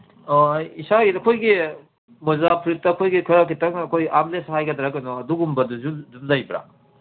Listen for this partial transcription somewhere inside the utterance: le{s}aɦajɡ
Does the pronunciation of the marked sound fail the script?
no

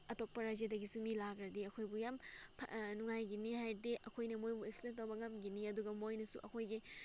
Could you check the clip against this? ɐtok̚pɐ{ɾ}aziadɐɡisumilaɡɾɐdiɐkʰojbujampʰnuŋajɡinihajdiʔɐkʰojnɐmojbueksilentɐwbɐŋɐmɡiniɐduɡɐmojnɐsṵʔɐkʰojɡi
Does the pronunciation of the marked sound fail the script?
no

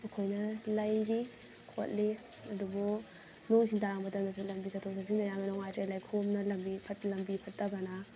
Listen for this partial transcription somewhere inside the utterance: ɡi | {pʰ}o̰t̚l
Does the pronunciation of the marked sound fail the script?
yes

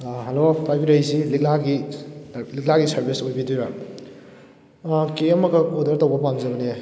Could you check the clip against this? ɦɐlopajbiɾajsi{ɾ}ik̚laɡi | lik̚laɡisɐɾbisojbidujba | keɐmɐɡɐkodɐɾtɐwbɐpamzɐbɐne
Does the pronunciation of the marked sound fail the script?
yes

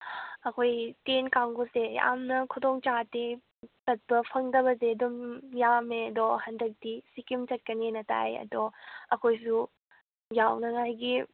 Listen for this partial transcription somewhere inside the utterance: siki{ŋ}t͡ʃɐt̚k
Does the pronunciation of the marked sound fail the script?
yes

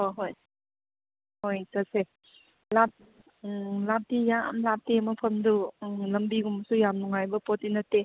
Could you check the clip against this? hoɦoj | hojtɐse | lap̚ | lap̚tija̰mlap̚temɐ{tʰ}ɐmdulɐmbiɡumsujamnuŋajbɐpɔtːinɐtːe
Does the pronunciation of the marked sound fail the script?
yes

